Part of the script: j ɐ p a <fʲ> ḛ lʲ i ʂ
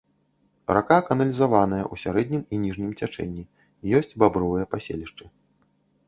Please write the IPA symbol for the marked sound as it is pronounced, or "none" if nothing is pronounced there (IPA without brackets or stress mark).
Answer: sʲ